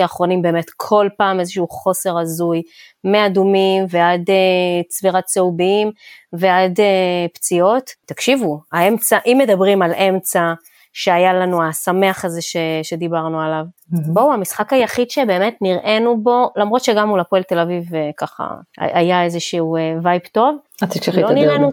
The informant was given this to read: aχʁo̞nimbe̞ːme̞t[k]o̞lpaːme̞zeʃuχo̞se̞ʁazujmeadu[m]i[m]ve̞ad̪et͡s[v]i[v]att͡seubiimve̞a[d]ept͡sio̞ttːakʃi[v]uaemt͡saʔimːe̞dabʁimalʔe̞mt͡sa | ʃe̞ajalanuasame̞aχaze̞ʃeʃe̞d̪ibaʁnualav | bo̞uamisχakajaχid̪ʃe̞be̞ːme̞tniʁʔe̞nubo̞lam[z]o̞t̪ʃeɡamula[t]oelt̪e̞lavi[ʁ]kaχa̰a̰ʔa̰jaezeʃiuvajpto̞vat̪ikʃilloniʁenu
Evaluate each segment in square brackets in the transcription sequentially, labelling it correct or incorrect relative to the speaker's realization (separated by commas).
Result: incorrect, correct, correct, correct, incorrect, correct, correct, incorrect, incorrect, incorrect